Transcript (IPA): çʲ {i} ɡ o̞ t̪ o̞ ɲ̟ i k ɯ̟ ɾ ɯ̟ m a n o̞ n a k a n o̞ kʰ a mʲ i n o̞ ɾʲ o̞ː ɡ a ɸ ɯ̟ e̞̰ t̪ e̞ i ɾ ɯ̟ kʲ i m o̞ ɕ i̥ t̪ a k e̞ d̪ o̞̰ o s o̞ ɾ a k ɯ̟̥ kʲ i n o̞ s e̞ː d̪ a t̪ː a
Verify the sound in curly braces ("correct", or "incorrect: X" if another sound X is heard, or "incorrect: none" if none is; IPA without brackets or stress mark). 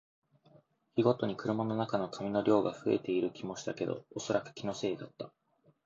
correct